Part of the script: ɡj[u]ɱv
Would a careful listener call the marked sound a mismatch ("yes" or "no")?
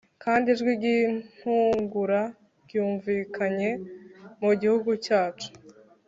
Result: yes